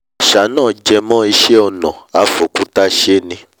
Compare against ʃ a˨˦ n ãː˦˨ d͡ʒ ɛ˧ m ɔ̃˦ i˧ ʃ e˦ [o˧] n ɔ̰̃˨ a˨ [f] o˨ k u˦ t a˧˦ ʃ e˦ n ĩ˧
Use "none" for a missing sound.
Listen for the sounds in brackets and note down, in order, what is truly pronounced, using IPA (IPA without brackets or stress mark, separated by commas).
ɔ˧, f